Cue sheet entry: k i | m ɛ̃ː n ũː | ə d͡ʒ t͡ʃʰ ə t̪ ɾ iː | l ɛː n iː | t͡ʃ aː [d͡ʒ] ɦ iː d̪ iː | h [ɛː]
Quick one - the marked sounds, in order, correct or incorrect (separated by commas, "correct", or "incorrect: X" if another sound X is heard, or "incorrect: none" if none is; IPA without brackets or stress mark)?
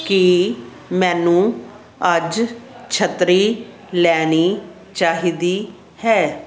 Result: incorrect: none, correct